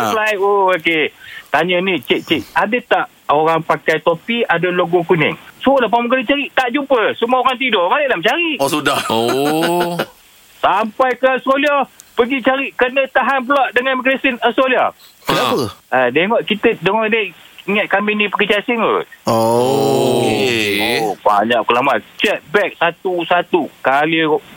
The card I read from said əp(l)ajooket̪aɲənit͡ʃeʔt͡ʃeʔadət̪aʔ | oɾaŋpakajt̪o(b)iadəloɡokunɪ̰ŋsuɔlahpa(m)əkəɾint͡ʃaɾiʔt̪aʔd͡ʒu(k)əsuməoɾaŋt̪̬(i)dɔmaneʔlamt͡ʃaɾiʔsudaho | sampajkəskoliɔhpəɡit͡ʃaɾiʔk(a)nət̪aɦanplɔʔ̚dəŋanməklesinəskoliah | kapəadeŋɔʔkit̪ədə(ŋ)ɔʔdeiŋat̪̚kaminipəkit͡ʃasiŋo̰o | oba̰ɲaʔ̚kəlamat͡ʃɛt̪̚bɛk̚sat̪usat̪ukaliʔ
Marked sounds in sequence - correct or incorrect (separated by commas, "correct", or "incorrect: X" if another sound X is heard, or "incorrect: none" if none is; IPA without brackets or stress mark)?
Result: correct, incorrect: p, correct, incorrect: p, correct, incorrect: ə, correct